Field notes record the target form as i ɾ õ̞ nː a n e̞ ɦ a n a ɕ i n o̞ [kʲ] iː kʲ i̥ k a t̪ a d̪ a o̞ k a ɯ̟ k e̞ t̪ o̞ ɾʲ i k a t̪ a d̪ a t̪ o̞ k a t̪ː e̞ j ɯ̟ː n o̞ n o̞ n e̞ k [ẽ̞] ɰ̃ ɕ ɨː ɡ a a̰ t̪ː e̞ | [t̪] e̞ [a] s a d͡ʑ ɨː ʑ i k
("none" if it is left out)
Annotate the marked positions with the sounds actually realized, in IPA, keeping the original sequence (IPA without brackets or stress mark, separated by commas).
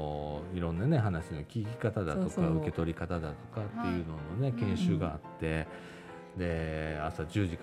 kʲ, ẽ̞, d̪, a